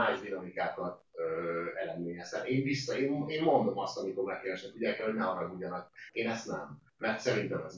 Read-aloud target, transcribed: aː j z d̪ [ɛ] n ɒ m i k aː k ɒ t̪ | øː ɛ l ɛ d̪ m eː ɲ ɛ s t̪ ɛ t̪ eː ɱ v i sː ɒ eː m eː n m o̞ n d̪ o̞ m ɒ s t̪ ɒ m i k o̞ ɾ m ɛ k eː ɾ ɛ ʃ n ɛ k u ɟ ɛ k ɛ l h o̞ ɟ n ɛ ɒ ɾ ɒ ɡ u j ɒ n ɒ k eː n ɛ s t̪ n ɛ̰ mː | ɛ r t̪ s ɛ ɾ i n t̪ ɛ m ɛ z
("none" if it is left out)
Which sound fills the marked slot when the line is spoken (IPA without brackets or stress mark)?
i